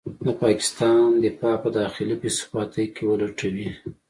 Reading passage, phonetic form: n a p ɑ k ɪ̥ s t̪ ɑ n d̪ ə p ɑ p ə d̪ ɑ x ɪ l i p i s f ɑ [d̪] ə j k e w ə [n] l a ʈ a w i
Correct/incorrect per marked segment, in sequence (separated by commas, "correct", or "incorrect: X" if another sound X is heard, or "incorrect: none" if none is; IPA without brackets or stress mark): incorrect: t̪, incorrect: none